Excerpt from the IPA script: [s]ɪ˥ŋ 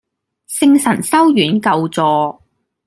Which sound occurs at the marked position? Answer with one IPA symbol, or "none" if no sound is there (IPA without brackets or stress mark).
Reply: s